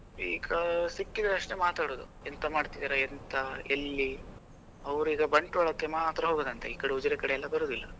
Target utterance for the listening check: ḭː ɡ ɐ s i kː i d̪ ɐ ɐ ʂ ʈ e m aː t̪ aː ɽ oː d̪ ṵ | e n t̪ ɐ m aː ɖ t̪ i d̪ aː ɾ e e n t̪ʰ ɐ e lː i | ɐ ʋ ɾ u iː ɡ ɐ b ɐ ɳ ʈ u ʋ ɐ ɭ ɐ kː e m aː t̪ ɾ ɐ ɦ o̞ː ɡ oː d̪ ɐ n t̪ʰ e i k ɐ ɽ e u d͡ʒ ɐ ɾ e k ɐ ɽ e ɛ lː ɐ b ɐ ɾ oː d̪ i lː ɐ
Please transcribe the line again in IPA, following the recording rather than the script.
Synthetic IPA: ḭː ɡ ɐ s i kː i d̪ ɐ ɐ ʂ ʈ e m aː t̪ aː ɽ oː d̪ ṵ | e n t̪ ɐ m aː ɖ t̪ i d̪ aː ɾ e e n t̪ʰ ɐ e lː i | ɐ ʋ ɾ u iː ɡ ɐ b ɐ ɳ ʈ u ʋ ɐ ɭ ɐ kː e m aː t̪ ɾ ɐ ɦ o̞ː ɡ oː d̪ ɐ n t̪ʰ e iː k ɐ ɽ e u d͡ʒ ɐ ɾ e k ɐ ɽ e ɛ lː ɐ b ɐ ɾ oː d̪ i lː ɐ